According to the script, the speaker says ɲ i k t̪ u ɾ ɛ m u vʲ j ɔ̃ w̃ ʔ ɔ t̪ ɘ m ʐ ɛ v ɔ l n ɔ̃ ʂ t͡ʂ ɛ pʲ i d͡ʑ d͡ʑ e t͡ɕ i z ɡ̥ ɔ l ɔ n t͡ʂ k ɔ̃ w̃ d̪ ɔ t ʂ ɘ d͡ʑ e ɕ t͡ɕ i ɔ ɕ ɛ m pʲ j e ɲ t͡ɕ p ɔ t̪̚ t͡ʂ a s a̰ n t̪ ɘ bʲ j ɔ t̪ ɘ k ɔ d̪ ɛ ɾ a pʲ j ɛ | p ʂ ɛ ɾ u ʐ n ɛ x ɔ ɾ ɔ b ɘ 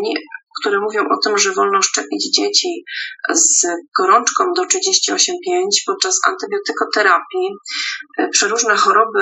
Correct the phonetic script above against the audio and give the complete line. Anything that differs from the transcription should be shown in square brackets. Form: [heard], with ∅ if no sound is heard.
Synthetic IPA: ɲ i k t̪ u ɾ ɛ m u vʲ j ɔ̃ w̃ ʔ ɔ t̪ ɘ m ʐ ɛ v ɔ l n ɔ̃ ʂ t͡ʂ ɛ pʲ i d͡ʑ d͡ʑ e t͡ɕ i z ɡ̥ ɔ [ɾ] ɔ n t͡ʂ k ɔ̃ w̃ d̪ ɔ t ʂ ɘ d͡ʑ e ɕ t͡ɕ i ɔ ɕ ɛ m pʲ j e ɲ t͡ɕ p ɔ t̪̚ t͡ʂ a s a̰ n t̪ ɘ bʲ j ɔ t̪ ɘ k ɔ [t̪] ɛ ɾ a pʲ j [i] | p ʂ ɛ ɾ u ʐ n ɛ x ɔ ɾ ɔ b ɘ